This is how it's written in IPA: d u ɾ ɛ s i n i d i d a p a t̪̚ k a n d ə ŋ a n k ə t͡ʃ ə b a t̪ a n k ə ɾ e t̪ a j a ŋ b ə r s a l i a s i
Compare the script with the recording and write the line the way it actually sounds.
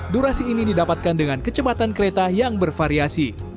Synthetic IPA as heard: d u ɾ a s iː n i d i d a p a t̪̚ k a n d ə ŋ a n k ə t͡ʃ ə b a t̪ a n k ə ɾ e t̪ a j a ŋ b ə r f a ɾ i a s i